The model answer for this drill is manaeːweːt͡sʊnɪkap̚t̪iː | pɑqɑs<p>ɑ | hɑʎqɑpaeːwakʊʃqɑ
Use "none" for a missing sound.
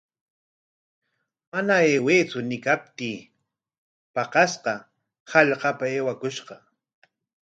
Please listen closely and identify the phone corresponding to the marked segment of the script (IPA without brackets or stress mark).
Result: q